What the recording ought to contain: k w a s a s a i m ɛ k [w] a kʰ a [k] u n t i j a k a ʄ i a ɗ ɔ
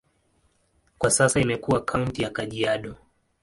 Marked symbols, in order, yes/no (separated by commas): no, no